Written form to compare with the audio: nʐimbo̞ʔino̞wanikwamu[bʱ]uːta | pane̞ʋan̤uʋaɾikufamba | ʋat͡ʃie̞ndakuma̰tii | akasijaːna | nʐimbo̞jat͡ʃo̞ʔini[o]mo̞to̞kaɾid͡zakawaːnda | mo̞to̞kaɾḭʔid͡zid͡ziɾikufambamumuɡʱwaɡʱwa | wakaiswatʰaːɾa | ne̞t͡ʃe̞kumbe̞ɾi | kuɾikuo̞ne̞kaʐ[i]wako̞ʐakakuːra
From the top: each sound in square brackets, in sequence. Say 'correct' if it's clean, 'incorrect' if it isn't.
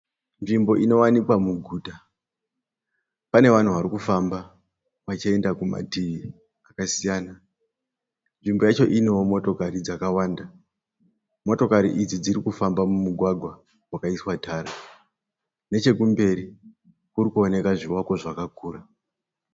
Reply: incorrect, correct, correct

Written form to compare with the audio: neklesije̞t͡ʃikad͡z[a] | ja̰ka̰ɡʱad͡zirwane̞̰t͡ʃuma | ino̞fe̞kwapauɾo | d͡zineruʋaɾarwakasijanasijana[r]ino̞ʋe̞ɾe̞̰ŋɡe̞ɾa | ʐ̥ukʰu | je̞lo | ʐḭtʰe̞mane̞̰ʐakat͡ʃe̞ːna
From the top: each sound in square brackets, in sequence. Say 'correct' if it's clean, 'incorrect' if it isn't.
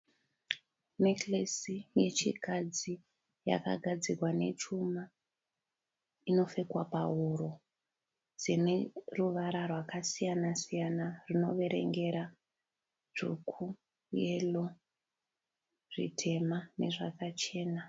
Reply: incorrect, correct

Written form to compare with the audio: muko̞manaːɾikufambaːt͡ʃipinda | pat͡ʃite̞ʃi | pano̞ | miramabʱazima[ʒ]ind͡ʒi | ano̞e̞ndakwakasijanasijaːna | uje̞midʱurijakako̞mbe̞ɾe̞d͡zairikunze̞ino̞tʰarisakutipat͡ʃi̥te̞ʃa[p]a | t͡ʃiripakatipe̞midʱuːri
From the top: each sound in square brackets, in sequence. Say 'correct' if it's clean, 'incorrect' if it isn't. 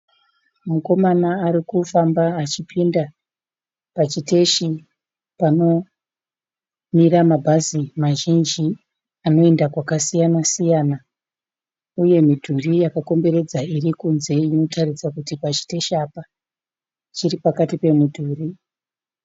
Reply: correct, correct

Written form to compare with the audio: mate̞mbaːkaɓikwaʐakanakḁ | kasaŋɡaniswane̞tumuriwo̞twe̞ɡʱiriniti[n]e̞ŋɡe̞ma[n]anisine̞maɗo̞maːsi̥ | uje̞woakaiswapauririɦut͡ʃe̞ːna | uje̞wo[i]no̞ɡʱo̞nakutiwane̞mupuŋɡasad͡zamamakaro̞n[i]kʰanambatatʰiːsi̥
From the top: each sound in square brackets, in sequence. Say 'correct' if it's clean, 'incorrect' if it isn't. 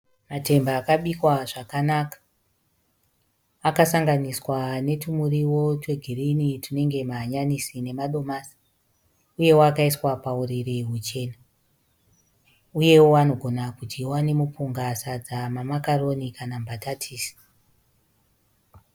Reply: correct, incorrect, incorrect, correct

